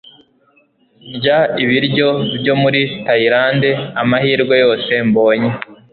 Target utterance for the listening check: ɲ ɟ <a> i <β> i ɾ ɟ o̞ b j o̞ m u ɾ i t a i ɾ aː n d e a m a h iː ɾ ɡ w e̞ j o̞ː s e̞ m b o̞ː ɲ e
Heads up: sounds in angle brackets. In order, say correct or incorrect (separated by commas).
correct, correct